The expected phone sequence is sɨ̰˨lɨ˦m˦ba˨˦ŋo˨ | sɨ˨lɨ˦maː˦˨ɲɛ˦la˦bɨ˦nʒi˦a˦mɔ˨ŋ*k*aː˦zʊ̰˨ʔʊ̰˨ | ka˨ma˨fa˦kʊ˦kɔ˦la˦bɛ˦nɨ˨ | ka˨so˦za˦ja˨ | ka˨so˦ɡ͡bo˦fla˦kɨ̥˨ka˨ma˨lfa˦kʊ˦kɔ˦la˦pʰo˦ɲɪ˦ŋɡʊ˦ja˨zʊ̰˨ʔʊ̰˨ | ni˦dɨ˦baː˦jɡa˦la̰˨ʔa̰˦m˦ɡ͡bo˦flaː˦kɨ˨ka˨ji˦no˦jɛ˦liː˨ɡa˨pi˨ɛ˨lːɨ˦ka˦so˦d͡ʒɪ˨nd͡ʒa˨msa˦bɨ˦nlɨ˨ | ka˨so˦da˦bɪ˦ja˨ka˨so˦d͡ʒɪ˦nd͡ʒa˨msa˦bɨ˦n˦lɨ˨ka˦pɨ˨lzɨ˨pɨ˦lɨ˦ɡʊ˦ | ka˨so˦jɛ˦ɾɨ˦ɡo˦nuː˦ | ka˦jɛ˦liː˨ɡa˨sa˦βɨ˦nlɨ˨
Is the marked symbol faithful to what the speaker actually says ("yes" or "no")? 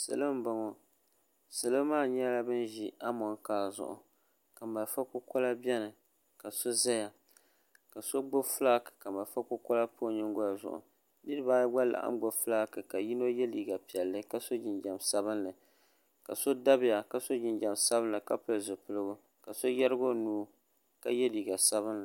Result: yes